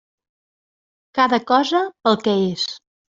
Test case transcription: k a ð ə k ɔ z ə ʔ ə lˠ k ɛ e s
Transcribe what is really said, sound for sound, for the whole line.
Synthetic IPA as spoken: k a ð ə k ɔ z ə p ə lˠ k ɛ e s